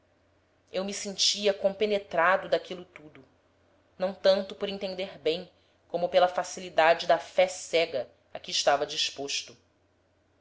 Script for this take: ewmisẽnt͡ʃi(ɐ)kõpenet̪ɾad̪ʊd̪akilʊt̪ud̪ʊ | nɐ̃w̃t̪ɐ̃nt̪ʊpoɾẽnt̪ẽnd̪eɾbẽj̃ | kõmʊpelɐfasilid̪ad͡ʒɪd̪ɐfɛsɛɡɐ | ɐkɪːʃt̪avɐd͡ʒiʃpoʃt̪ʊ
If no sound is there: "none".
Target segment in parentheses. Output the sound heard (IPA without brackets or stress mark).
ɐ